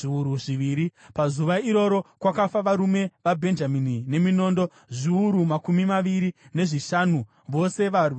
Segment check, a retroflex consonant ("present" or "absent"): present